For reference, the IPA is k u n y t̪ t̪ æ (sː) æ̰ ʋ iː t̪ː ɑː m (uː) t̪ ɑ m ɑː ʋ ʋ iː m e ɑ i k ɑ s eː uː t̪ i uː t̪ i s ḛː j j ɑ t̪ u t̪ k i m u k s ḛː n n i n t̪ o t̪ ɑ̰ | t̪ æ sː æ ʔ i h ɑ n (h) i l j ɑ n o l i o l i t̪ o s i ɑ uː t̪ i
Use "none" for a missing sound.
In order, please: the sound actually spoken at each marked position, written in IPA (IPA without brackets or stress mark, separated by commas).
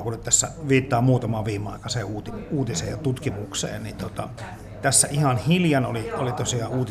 sː, uː, h